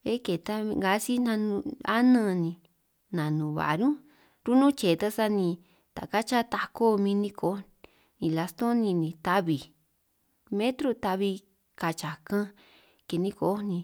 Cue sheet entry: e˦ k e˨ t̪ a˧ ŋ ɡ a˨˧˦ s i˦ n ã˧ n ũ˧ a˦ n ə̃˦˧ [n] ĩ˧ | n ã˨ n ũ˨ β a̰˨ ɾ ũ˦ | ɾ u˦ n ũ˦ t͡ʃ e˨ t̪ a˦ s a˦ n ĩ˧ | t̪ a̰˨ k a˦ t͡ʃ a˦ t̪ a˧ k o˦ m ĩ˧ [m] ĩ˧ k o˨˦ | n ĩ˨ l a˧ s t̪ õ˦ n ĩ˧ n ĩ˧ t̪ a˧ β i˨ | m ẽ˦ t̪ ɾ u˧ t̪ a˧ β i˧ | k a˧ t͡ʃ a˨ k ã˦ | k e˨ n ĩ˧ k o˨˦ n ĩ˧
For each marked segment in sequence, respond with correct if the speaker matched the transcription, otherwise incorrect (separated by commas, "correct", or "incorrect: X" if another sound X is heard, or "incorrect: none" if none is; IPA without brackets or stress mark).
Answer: correct, incorrect: n